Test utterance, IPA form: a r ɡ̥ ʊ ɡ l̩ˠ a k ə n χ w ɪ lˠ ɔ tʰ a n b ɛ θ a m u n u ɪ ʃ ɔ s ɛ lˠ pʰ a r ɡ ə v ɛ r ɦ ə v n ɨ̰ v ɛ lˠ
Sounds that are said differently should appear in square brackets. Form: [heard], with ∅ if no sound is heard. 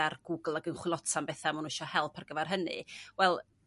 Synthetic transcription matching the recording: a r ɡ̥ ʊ ɡ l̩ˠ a [ɡ] ə n χ w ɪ lˠ ɔ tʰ a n b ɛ θ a m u n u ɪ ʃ ɔ [h] ɛ lˠ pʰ a r ɡ ə v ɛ r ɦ ə [∅] n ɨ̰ [w] ɛ lˠ